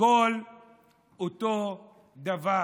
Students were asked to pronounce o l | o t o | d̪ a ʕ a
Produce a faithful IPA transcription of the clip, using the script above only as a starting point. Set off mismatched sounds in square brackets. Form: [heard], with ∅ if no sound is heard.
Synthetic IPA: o l | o t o | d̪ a [v] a